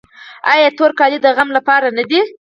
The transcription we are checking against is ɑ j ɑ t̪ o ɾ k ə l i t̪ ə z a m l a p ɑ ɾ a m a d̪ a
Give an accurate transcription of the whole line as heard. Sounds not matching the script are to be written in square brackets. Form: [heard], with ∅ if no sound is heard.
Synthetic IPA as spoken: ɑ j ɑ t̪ o ɾ k [ɑ] l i [d̪] ə [ɣ] a m l a p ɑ ɾ a [n] a d̪ [i]

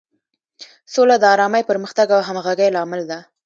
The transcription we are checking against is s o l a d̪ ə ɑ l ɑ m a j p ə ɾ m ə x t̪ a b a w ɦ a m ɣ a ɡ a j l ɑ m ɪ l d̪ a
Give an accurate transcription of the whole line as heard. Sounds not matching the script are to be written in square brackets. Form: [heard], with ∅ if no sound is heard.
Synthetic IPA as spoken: s o l a d̪ ə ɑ [ɾ] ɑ m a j p ə ɾ m ə x t̪ a [ɡ] a w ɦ a m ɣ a ɡ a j l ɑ m ɪ l d̪ a

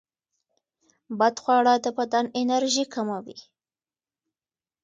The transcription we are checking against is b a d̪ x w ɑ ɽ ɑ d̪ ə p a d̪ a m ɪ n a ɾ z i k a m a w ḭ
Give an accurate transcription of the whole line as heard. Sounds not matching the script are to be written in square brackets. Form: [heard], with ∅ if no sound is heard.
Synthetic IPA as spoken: b a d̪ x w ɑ ɽ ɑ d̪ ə p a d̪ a [n] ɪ n a ɾ [ʒ] i k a m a w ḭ

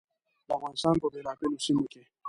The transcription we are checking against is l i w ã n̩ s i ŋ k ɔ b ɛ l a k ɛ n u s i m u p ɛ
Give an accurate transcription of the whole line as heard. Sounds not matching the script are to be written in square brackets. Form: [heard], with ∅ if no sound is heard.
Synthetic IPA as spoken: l [a] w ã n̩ s [a] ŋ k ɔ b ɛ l a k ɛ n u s i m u [k] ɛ

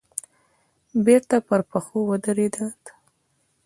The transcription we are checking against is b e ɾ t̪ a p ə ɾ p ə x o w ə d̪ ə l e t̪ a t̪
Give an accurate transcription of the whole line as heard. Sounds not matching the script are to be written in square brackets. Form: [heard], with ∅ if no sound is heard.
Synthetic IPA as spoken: b e ɾ t̪ a p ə ɾ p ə x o w ə d̪ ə [ɾ] e [d̪] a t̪

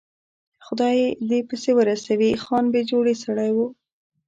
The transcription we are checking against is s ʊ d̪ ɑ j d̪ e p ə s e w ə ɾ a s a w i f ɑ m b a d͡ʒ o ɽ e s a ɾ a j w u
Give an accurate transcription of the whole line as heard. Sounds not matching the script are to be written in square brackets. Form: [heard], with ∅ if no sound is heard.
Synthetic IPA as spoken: [x] ʊ d̪ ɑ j d̪ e p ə s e w ə ɾ a s a w i [x] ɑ [n] b [e] d͡ʒ o ɽ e s a [ɽ] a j w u

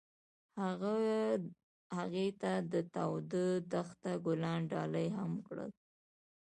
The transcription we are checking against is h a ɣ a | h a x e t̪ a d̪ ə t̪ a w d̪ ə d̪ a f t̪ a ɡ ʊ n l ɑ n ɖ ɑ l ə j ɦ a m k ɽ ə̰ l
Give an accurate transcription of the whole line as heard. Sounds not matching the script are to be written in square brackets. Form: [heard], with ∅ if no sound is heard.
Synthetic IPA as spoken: h a ɣ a | h a [ɣ] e t̪ a d̪ ə t̪ a w d̪ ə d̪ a [x] t̪ a ɡ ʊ [∅] l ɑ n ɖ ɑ l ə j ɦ a m k ɽ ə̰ l

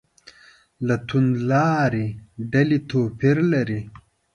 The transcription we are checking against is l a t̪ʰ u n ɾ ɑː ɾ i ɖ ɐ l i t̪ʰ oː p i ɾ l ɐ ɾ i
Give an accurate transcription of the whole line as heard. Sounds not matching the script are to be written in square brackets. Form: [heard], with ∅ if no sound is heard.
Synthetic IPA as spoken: l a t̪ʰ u n [l] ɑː ɾ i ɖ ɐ l i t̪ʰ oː p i ɾ l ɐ ɾ i

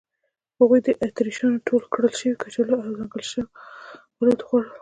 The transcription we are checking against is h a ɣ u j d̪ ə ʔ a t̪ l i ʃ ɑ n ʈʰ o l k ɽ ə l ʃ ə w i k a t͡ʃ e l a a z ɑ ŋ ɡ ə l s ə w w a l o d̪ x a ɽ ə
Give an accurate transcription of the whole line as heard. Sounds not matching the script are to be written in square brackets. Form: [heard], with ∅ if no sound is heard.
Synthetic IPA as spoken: h a ɣ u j d̪ ə ʔ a t̪ [ɾ] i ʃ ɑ n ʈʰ o l k ɽ ə l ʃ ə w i k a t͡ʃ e l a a z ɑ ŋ ɡ ə l [ʃ] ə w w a l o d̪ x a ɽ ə

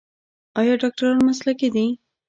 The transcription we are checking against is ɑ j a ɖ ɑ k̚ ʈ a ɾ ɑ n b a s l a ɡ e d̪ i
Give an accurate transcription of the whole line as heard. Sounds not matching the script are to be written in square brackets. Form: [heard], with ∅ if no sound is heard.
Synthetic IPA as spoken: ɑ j [ɑ] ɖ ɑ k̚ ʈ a ɾ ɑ n [m] a s l a [k] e d̪ i

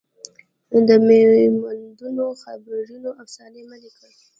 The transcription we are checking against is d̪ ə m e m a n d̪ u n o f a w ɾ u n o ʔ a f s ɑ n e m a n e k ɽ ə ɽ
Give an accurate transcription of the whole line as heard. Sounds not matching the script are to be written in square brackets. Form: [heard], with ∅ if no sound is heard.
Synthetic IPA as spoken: d̪ ə m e m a n d̪ u n o [x] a [b] ɾ u n o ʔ a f s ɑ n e m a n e k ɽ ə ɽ

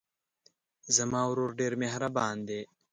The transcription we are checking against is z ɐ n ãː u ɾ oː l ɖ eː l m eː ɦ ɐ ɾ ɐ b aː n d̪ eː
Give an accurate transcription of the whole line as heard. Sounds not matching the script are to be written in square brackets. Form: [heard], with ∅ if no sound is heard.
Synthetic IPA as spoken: z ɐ [m] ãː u ɾ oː [ɾ] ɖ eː [ɾ] m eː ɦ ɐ ɾ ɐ b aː n d̪ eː

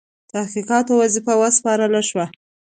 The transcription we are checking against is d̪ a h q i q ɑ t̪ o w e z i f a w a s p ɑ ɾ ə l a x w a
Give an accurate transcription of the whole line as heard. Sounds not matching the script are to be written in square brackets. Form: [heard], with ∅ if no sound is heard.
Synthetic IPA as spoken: [t̪] a h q i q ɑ t̪ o w [a] z i f a w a s p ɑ ɾ ə l a [ʃ] w a

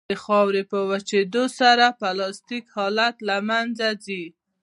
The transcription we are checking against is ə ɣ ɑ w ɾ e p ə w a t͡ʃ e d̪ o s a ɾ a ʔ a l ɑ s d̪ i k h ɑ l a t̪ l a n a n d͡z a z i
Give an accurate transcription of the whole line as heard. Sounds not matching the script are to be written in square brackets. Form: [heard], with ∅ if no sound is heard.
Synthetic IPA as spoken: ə [x] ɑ w ɾ e p ə w a t͡ʃ e d̪ o s a ɾ a [p] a l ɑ s [t̪] i k h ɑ l a t̪ l a [m] a n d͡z a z i

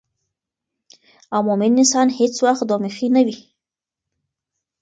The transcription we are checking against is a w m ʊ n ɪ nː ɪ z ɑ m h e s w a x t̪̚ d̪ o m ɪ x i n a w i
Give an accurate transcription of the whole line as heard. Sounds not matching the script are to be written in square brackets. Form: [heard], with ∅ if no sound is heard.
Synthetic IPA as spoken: a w m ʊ [m] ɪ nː ɪ [s] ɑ [n] h e [t͡s] w a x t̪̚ d̪ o m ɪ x i n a w i

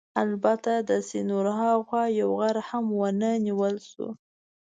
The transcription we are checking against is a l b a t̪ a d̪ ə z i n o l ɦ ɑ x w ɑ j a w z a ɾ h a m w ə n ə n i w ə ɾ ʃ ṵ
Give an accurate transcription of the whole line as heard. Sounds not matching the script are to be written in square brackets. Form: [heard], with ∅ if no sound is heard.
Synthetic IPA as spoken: a l b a t̪ a d̪ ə [s] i n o [ɾ] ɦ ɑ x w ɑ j a w [ɣ] a ɾ h a m w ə n ə n i w ə [l] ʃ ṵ

